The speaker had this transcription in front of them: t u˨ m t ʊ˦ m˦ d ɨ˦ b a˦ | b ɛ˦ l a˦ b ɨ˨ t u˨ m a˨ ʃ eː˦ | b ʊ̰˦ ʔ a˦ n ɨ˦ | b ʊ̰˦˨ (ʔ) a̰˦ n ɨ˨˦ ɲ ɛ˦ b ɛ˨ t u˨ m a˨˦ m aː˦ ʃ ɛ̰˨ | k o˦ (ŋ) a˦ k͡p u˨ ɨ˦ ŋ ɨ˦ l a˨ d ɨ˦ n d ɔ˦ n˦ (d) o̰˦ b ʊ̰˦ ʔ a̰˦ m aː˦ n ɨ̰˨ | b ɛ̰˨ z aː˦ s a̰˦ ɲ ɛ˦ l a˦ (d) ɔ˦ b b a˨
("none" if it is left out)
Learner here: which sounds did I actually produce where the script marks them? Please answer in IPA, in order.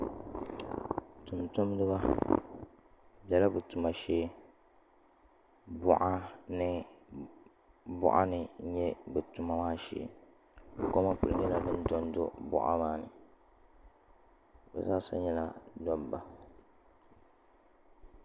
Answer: ʔ, m, d, d

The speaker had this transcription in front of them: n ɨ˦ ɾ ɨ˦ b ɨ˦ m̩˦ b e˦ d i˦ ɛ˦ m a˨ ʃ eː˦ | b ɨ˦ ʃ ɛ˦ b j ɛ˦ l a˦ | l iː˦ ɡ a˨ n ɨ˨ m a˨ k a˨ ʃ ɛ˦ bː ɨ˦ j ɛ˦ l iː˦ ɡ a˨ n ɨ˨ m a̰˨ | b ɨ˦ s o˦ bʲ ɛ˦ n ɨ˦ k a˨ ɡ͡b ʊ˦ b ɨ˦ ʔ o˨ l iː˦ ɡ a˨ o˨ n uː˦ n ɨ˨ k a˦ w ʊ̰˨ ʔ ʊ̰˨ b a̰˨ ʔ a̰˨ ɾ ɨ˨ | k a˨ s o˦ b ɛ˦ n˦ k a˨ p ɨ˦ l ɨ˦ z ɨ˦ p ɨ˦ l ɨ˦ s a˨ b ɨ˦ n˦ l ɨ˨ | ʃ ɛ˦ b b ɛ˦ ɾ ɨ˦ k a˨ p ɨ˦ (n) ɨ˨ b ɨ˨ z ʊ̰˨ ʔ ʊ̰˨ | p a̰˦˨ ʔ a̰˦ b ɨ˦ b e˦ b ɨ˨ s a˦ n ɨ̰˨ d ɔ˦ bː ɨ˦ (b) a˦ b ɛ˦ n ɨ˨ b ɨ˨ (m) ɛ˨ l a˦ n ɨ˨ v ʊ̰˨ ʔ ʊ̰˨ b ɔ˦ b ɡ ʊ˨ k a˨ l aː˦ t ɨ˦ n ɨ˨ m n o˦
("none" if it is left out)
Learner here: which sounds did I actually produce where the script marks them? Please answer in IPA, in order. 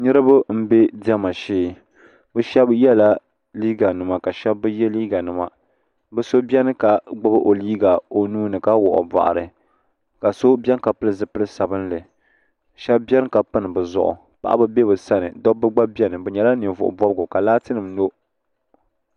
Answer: n, ɡ͡b, ɲ

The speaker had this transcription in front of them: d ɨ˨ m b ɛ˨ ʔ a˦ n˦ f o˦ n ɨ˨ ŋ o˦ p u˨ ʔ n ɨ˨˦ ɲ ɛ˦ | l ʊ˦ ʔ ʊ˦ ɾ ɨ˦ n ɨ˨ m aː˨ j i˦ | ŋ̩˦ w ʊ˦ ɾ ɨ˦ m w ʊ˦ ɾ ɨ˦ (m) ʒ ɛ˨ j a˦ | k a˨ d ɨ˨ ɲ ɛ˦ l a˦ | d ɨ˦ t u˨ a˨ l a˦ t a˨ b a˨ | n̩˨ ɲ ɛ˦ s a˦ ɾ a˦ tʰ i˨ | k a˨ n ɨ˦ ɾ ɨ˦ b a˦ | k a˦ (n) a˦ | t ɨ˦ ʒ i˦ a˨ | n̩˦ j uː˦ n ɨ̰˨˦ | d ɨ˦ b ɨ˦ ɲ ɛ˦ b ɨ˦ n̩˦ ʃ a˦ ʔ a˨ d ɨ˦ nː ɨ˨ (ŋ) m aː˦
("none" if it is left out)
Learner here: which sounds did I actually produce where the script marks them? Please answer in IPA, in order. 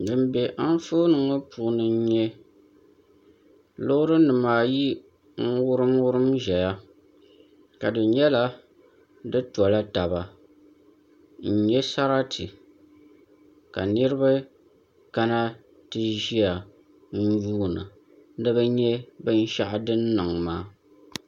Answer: m, n, ŋ

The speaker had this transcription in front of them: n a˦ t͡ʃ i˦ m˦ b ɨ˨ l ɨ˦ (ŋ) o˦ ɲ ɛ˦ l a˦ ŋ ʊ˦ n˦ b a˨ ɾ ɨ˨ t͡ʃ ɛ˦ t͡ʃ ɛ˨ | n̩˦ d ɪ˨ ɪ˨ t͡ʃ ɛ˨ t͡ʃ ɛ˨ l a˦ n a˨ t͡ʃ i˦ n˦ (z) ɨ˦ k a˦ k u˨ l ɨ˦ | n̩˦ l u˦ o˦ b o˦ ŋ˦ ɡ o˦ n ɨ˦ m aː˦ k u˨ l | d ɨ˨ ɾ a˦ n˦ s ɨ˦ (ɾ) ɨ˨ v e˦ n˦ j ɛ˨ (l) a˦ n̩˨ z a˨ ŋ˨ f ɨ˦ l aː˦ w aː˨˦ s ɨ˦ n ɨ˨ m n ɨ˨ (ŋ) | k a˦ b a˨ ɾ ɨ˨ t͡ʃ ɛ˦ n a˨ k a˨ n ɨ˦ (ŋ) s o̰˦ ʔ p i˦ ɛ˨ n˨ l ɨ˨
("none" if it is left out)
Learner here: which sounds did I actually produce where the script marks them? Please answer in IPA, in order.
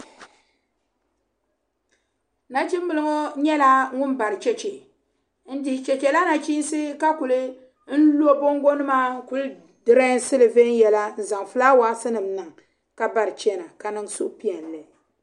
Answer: ŋ, s, l, l, ŋ, ŋ

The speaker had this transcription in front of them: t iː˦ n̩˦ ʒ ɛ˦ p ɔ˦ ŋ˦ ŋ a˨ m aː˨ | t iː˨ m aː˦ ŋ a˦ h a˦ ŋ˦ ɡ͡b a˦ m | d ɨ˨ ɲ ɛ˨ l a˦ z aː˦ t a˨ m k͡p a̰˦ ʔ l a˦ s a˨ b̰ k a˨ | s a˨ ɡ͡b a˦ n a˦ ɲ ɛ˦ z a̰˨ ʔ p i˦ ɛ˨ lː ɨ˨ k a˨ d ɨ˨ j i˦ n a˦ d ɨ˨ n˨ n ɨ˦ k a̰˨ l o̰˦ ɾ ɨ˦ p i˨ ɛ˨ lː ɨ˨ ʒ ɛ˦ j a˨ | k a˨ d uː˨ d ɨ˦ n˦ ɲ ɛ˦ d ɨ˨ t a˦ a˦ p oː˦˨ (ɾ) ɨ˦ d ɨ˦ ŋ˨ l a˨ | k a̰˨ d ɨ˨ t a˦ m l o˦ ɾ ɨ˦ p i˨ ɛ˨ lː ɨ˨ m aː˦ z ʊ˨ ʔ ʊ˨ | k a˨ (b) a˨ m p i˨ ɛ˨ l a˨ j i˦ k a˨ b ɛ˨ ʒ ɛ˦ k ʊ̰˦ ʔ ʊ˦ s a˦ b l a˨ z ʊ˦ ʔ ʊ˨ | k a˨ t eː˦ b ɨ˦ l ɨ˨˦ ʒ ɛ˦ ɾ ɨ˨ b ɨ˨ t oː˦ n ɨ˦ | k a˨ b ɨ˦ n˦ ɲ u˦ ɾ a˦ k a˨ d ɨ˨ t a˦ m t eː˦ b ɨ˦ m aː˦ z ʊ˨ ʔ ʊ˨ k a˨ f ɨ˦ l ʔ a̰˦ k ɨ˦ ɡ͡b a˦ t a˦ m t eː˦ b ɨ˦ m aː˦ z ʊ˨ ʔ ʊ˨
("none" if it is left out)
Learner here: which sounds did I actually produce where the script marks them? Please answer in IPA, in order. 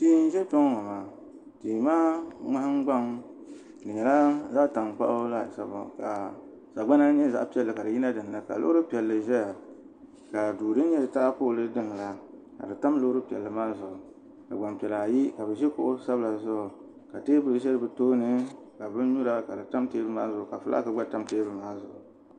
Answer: l, ɡ͡b

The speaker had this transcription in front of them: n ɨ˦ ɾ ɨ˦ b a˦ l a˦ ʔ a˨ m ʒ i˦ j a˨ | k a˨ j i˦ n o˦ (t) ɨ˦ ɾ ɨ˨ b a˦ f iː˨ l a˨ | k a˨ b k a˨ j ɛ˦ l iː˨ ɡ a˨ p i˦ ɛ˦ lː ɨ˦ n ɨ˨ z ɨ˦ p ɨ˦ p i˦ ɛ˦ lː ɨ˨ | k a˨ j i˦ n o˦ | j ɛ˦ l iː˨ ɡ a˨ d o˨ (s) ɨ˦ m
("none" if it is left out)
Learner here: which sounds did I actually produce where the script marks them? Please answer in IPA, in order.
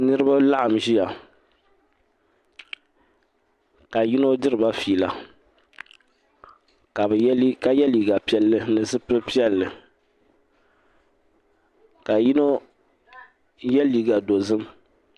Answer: d, z

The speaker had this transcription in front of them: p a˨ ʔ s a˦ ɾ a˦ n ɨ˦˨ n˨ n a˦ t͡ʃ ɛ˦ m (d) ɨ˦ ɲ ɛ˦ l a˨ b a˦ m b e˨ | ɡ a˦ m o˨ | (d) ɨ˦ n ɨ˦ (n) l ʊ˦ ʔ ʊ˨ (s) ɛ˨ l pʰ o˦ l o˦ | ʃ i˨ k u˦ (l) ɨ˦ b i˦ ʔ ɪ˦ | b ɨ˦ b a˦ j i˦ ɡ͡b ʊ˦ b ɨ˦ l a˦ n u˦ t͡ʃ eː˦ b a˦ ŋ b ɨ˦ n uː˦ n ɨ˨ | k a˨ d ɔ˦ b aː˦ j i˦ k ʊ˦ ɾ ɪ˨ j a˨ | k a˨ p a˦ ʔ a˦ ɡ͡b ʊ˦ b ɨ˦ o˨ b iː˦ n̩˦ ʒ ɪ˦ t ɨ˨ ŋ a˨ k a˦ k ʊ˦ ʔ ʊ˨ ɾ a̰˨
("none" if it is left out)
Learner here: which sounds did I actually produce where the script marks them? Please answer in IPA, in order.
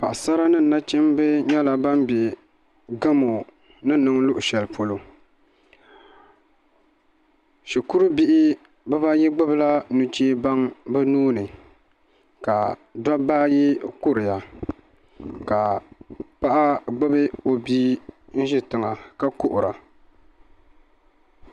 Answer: b, n, ŋ, ʃ, ɾ

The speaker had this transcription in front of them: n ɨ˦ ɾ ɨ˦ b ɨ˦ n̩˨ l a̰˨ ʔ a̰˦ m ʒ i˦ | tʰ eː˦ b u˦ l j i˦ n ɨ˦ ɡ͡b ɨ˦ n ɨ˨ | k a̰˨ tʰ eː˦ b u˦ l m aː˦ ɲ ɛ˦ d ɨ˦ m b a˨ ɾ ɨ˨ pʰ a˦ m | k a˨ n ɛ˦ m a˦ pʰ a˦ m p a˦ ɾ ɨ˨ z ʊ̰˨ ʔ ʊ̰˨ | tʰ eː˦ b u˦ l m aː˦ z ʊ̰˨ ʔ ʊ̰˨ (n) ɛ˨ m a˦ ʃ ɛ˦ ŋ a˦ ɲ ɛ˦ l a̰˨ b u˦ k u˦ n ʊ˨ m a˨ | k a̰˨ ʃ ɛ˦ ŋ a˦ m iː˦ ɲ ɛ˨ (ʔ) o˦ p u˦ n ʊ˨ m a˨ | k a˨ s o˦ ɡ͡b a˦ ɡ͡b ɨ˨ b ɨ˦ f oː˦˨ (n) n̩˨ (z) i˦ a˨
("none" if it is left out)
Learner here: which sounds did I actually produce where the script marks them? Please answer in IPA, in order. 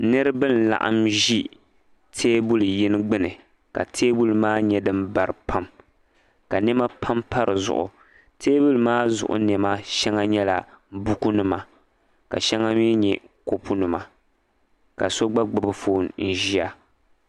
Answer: n, k, n, ʒ

